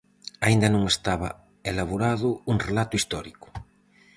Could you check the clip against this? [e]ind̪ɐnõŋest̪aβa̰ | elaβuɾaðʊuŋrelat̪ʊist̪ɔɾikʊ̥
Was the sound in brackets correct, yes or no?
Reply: no